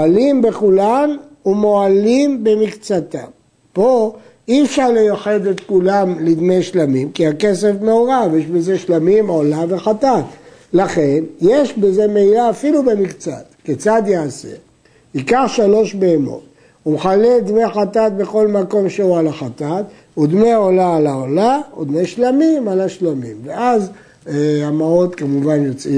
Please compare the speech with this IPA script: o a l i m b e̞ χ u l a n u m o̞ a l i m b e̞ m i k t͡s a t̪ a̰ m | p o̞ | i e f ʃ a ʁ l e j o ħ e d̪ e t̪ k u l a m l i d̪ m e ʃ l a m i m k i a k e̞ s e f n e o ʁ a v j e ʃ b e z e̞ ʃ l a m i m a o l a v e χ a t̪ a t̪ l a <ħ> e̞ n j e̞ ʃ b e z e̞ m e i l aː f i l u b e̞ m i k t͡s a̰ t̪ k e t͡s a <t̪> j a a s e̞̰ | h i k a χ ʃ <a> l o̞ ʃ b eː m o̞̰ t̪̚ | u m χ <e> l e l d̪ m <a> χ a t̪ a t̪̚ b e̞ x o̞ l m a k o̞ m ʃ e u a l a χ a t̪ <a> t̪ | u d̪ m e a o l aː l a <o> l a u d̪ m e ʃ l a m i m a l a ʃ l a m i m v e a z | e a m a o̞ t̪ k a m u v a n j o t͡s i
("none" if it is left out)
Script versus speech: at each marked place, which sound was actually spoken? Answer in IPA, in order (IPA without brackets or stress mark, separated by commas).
χ, d̪, a, a, e, a, o